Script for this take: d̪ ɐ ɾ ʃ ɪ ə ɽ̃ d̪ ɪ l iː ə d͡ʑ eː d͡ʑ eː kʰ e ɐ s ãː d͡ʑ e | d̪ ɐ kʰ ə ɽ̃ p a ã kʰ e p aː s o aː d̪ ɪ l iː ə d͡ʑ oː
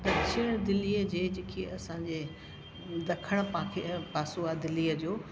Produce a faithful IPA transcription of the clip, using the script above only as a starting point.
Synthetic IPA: d̪ ɐ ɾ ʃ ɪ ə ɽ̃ d̪ ɪ l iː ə d͡ʑ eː d͡ʑ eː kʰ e ɐ s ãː d͡ʑ e | d̪ ɐ kʰ ə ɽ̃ p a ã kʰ e p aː s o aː d̪ ɪ l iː ə d͡ʑ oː

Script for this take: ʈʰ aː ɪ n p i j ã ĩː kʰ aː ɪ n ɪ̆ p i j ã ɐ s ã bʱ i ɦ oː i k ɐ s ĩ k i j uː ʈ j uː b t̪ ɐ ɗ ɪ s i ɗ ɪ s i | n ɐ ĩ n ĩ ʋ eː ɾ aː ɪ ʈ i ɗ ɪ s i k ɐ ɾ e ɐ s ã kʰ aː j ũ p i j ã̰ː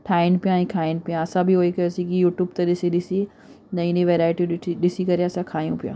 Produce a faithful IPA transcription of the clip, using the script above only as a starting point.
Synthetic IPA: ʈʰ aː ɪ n p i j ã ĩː kʰ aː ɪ n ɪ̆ p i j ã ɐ s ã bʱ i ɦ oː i k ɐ s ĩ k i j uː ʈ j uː b t̪ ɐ ɗ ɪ s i ɗ ɪ s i | n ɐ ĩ n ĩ ʋ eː ɾ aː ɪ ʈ i ɗ ɪ s i k ɐ ɾ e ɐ s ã kʰ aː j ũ p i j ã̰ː

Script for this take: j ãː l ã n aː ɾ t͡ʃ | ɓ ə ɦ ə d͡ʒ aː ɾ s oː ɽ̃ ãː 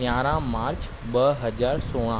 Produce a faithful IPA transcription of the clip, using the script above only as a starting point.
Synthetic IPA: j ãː ɾ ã m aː ɾ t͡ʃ | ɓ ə ɦ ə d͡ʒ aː ɾ s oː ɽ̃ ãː

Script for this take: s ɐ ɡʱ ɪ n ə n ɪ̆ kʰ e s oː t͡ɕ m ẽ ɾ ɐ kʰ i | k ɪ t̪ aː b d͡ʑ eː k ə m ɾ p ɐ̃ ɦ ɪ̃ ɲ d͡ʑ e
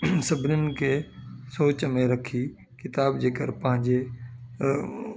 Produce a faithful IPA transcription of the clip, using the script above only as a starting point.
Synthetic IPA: s ɐ bʱ ɪ n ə n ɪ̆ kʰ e s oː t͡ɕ m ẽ ɾ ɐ kʰ i | k ɪ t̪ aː b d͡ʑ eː k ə ɾ p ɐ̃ ɦ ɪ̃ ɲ d͡ʑ e

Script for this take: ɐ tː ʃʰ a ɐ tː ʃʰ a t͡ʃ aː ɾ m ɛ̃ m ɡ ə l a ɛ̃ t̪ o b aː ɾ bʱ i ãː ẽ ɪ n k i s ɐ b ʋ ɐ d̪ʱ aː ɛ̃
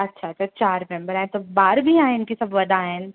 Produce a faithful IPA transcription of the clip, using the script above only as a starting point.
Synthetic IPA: ɐ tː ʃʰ a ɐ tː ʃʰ a t͡ʃ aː ɾ m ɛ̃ m b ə ɾ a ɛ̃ t̪ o b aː ɾ bʱ i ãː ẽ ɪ n k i s ɐ b ʋ ɐ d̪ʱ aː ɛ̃

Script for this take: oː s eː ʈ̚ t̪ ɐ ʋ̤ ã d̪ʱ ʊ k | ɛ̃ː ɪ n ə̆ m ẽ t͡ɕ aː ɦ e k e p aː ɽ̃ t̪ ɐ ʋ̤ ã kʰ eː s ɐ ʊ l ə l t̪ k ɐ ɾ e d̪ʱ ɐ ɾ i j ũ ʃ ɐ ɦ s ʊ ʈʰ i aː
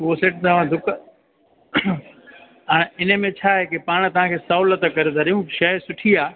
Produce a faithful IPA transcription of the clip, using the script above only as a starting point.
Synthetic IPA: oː s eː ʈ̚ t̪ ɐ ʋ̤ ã d̪ʱ ʊ k | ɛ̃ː ɪ n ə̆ m ẽ t͡ɕʰ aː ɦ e k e p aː ɽ̃ t̪ ɐ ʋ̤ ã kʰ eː s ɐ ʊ l ə t̪ k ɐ ɾ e d̪ʱ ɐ ɾ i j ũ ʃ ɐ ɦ s ʊ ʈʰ i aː

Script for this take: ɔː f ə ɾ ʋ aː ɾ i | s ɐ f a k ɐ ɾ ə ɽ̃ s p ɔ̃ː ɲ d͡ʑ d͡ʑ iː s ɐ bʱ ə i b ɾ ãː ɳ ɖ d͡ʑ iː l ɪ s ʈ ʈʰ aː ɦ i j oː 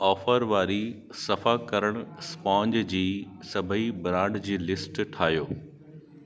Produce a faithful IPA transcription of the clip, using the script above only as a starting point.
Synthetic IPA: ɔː f ə ɾ ʋ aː ɾ i | s ɐ f a k ɐ ɾ ə ɽ̃ s p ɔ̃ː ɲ d͡ʑ d͡ʑ iː s ɐ bʱ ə i b ɾ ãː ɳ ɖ d͡ʑ iː l ɪ s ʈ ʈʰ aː ɦ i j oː

